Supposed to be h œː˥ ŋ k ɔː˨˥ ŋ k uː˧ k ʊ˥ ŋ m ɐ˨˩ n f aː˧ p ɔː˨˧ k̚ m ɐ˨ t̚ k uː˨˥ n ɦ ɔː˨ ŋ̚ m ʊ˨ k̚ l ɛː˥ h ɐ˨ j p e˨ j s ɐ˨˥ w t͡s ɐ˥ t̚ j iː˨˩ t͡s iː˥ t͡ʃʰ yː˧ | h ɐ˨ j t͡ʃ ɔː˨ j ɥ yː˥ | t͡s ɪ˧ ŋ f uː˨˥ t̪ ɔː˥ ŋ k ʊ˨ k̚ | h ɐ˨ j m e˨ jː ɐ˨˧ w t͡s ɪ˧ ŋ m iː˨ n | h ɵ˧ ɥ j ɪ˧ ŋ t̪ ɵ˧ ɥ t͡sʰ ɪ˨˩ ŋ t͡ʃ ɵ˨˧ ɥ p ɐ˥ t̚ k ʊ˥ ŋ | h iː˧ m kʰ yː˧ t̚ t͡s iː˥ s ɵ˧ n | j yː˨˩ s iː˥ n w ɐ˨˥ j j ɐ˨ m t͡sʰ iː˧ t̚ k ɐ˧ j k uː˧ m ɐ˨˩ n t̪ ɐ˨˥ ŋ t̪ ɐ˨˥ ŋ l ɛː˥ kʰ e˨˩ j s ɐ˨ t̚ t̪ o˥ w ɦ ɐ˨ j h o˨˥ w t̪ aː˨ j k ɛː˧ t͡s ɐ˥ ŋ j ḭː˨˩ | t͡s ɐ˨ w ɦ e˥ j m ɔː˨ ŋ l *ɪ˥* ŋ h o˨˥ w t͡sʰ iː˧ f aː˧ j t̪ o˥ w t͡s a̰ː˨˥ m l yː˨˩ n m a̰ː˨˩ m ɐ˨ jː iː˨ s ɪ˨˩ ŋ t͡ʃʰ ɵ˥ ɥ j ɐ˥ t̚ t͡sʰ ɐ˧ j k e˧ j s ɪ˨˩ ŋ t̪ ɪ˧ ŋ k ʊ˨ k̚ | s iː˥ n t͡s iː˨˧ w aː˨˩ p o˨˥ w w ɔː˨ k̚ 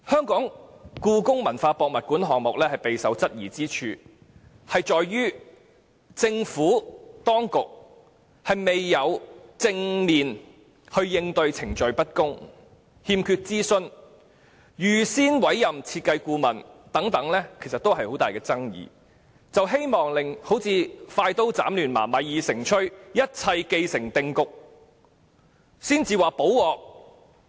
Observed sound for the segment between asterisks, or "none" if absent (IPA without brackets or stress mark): ɪ˨